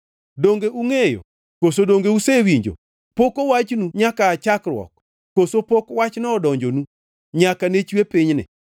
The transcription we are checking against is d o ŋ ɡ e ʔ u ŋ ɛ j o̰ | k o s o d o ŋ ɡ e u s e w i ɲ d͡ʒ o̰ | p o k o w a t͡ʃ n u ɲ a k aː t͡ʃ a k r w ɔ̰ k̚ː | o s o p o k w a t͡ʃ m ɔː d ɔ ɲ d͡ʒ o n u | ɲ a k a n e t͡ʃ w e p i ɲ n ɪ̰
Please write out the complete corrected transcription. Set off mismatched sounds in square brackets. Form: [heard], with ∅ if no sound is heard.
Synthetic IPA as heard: d o ŋ ɡ e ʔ u ŋ [e] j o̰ | k o s o d o ŋ ɡ e u s e w i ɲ d͡ʒ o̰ | p o k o w a t͡ʃ n u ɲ a k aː t͡ʃ a k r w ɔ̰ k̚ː | o s o p o k w a t͡ʃ [n] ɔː d ɔ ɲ d͡ʒ o n u | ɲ a k a n e t͡ʃ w e p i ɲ n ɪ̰

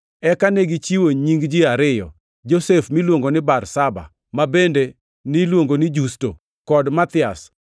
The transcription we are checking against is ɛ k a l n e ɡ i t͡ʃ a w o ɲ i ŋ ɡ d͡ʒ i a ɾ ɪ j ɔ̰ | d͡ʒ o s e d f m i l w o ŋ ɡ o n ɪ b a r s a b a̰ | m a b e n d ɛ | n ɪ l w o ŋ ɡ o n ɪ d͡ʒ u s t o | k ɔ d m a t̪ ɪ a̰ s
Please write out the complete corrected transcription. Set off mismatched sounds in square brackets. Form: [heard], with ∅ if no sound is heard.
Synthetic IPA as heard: ɛ k a [∅] n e ɡ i t͡ʃ [i] w o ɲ i ŋ ɡ d͡ʒ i a ɾ ɪ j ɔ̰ | d͡ʒ o s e [∅] f m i l w o ŋ ɡ o n ɪ b a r s a b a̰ | m a b e n d [e] | n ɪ l w o ŋ ɡ o n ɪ d͡ʒ u s t o | k ɔ d m a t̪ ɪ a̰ s

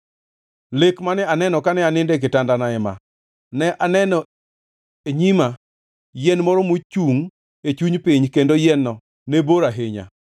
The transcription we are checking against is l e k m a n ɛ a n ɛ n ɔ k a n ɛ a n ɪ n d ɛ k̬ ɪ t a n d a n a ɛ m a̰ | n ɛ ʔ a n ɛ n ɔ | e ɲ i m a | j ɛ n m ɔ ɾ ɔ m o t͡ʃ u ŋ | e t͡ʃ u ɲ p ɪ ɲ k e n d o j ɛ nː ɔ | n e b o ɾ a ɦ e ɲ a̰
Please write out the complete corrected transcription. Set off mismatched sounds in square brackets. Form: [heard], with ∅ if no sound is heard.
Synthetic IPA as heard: l e k m a n ɛ a n ɛ n ɔ k a n ɛ a n ɪ n d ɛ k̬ ɪ t a n d a n a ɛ m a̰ | n ɛ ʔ a n ɛ n ɔ | e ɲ i m a | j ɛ n m ɔ ɾ ɔ m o t͡ʃ u ŋ | e t͡ʃ u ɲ p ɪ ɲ k e n d o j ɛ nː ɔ | n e b o ɾ a ɦ e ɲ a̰

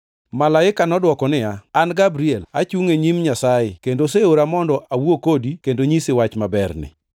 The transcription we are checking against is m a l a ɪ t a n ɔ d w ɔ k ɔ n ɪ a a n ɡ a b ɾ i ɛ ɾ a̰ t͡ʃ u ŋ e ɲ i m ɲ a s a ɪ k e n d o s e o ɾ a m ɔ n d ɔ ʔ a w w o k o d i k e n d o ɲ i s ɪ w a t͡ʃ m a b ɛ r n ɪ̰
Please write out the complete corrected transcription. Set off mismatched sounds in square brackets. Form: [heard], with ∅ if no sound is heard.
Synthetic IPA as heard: m a l a ɪ [k] a n ɔ d w ɔ k ɔ n ɪ a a n ɡ a b ɾ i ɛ [l] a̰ t͡ʃ u ŋ e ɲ i m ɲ a s a ɪ k e n d o s e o ɾ a m ɔ n d ɔ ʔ a w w o k o d i k e n d o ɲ i s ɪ w a t͡ʃ m a b ɛ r n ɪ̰

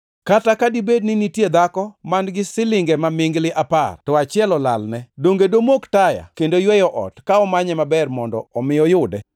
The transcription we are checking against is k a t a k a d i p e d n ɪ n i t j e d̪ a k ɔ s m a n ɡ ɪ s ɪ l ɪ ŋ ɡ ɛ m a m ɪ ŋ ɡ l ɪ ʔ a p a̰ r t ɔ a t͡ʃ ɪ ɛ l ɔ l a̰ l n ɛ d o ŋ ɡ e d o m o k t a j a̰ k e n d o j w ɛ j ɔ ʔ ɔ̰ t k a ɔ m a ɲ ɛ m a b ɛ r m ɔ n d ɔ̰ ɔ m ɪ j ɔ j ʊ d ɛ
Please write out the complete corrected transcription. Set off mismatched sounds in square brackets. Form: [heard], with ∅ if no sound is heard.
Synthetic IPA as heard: k a t a k a d i [b] e d n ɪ n i t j e d̪ a k ɔ [∅] m a n ɡ ɪ s ɪ l ɪ ŋ ɡ ɛ m a m ɪ ŋ ɡ l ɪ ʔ a p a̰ r t ɔ a t͡ʃ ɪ ɛ l ɔ l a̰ l n ɛ d o ŋ ɡ e d o m o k t a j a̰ k e n d o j w ɛ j ɔ ʔ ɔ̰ t k a ɔ m a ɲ ɛ m a b ɛ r m ɔ n d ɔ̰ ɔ m ɪ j ɔ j ʊ d ɛ

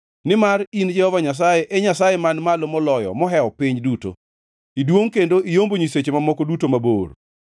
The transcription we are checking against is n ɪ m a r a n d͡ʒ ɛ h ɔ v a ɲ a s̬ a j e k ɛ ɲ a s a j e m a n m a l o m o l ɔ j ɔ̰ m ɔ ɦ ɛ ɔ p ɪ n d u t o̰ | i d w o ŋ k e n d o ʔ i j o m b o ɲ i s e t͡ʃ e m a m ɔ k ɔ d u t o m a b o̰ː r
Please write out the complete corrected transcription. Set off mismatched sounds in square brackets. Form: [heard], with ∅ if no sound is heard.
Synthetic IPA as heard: n ɪ m a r [i] n d͡ʒ ɛ h ɔ v a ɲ a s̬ a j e [ʔ] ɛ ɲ a s a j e m a n m a l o m [ɔ] l ɔ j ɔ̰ m ɔ ɦ ɛ ɔ p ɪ [ɲ] d u t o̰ | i d w o ŋ k e n d o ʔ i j o m b o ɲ i s e t͡ʃ e m a m ɔ k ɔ d u t o m a b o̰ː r

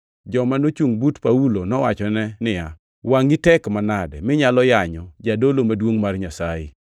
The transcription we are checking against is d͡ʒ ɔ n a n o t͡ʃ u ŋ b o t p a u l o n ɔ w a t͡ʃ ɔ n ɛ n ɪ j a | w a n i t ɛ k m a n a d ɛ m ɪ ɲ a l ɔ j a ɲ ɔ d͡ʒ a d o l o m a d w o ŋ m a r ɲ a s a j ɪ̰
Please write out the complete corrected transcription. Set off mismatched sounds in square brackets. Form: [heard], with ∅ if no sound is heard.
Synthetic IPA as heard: d͡ʒ ɔ [m] a n o t͡ʃ u ŋ b [u] t p a u l o n ɔ w a t͡ʃ ɔ n ɛ n ɪ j a | w a [ŋ] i t ɛ k m a n a d ɛ m ɪ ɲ a l ɔ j a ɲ ɔ d͡ʒ a d o l o m a d w o ŋ m a r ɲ a s a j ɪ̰

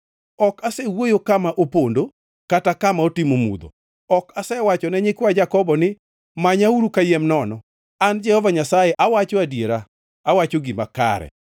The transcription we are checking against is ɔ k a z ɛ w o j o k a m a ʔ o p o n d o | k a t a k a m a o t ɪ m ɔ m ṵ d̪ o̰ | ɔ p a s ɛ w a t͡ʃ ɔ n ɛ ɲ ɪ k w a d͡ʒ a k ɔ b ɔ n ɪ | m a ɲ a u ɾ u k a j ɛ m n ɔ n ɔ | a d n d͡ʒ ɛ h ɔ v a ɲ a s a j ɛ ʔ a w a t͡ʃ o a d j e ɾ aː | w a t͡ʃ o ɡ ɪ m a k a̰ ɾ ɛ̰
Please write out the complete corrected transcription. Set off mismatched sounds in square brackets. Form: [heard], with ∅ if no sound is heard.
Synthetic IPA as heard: ɔ k a [s] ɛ w o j o k a m a ʔ o p o n d o | k a t a k a m a o t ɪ m [o] m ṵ d̪ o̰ | ɔ [k] a s ɛ w a t͡ʃ ɔ n ɛ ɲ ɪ k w a d͡ʒ a k ɔ b ɔ n ɪ | m a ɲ a u ɾ u k a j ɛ m n ɔ n ɔ | a [∅] n d͡ʒ ɛ h ɔ v a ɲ a s a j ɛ ʔ a w a t͡ʃ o a d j e ɾ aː | w a t͡ʃ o ɡ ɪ m a k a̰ ɾ ɛ̰

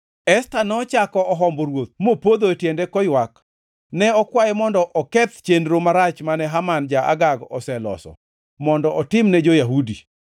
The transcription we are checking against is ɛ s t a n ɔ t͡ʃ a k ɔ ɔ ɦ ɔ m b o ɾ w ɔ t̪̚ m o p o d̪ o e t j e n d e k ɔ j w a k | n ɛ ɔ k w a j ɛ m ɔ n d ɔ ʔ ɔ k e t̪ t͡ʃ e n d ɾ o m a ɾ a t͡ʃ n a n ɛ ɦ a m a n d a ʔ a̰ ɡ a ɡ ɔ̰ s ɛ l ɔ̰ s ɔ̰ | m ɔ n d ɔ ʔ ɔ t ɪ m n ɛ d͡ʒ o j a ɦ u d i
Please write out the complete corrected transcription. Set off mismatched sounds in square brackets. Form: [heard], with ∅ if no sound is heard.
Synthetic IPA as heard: ɛ s t a n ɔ t͡ʃ a k ɔ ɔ ɦ ɔ m b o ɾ w [o] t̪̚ m o p o d̪ o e t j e n d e k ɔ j w a k | n ɛ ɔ k w a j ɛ m ɔ n d ɔ ʔ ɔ k [ɛ] t̪ t͡ʃ e n d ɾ o m a ɾ a t͡ʃ [m] a n ɛ ɦ a m a n [d͡ʒ] a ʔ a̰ ɡ a ɡ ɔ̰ s ɛ l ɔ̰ s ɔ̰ | m ɔ n d ɔ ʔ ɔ t ɪ m n ɛ d͡ʒ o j a ɦ u d i

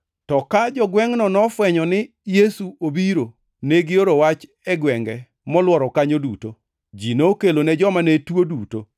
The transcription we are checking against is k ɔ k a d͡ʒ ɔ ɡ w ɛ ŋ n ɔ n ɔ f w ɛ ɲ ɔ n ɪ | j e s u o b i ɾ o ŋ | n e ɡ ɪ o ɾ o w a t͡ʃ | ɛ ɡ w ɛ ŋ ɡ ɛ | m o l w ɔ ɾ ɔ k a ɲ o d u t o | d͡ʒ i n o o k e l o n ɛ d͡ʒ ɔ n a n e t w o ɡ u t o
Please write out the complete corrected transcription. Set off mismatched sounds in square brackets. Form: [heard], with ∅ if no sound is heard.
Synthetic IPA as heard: [t] ɔ k a d͡ʒ ɔ ɡ w ɛ ŋ n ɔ n ɔ f w ɛ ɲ ɔ n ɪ | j e s u o b i ɾ o [∅] | n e ɡ ɪ o ɾ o w a t͡ʃ | ɛ ɡ w ɛ ŋ ɡ ɛ | m [ɔ] l w ɔ ɾ ɔ k a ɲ o d u t o | d͡ʒ i n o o k e l o n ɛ d͡ʒ ɔ [m] a n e t w o [d] u t o

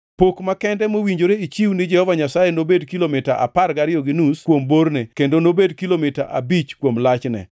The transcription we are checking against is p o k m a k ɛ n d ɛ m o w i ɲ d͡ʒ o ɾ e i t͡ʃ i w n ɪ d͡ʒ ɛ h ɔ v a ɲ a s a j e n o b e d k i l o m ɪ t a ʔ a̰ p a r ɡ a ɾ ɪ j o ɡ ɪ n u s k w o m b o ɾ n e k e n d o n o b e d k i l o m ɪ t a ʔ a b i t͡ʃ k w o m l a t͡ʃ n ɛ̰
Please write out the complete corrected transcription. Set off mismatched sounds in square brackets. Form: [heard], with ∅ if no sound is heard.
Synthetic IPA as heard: p o k m a k ɛ n d ɛ m o w i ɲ d͡ʒ o ɾ e i t͡ʃ i w n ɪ d͡ʒ ɛ h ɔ v a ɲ a s a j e n o b e d k i l o m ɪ t a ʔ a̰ p a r ɡ a ɾ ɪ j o ɡ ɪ n u s k w o m b o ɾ n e k e n d o n o b e d k i l o m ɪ t a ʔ a b i t͡ʃ k w o m l a t͡ʃ n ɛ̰

